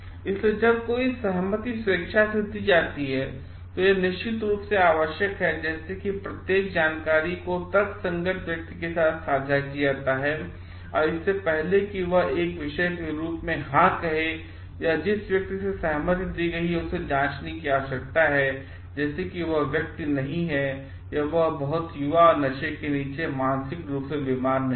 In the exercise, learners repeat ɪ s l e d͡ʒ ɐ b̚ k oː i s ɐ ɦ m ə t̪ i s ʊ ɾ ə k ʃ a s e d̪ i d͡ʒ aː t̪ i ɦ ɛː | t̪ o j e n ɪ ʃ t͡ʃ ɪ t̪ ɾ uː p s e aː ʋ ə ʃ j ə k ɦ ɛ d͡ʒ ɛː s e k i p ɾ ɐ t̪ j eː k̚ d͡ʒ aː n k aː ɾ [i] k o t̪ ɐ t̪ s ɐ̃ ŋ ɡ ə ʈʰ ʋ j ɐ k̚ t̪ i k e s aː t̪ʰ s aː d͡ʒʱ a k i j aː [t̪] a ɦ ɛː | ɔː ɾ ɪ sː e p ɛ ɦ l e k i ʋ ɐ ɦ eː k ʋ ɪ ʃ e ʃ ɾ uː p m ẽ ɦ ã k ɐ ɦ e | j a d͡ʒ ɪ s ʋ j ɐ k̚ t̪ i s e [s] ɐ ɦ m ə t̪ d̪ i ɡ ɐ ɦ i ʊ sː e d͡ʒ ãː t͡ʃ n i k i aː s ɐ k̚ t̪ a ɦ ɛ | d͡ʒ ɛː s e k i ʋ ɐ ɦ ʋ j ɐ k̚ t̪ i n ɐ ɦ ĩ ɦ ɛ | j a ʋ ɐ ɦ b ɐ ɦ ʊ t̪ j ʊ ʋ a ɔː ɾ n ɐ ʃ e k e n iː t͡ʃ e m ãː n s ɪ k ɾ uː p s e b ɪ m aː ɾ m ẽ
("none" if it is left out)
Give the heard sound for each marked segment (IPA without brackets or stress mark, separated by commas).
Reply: i, t̪, s